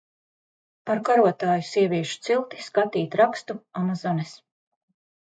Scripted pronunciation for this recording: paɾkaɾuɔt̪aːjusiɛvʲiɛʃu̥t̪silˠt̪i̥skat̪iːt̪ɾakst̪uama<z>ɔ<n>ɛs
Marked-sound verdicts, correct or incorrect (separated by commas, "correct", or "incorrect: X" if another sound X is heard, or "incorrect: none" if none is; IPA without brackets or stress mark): correct, correct